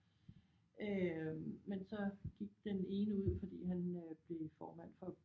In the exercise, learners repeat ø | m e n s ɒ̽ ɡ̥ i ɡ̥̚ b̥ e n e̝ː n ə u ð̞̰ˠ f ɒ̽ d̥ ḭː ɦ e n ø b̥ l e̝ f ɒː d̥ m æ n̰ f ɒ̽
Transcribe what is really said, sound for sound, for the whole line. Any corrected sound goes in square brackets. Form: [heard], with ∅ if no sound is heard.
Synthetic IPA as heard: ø | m e n s ɒ̽ ɡ̥ i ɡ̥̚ [d̥] e n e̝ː n ə u ð̞̰ˠ f ɒ̽ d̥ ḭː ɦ [æ] n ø b̥ l e̝ f ɒː [∅] m æ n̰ f ɒ̽